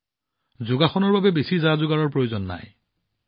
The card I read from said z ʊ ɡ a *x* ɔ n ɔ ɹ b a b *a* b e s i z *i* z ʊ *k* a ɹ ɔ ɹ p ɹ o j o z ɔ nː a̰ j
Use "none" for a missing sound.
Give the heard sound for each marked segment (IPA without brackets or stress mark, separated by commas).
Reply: x, ɛ, a, ɡ